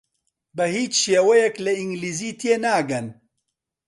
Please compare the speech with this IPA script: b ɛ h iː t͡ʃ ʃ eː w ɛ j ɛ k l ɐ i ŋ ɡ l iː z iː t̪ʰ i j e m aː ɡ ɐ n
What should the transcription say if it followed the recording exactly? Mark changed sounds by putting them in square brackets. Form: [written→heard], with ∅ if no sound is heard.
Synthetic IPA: b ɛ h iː t͡ʃ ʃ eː w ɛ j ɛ k l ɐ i ŋ ɡ l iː z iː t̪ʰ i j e [m→n] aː ɡ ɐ n